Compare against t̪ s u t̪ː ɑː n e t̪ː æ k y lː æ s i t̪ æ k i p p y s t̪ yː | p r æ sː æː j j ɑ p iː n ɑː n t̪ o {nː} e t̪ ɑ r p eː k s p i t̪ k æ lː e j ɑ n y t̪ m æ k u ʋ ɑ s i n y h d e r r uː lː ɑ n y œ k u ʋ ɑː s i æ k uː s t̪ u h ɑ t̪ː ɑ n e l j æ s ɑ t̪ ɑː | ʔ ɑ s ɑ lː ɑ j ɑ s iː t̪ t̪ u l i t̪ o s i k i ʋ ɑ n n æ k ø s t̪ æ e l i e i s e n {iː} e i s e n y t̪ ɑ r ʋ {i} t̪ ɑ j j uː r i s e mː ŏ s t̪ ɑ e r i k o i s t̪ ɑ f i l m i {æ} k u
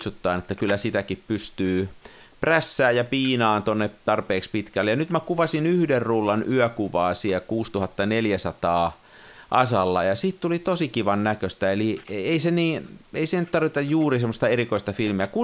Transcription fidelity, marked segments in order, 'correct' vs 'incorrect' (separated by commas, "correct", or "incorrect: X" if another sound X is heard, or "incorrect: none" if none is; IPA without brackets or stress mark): correct, correct, correct, correct